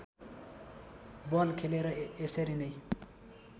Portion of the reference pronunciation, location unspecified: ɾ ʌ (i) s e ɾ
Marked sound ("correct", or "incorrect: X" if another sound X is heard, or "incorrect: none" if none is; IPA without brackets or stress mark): incorrect: e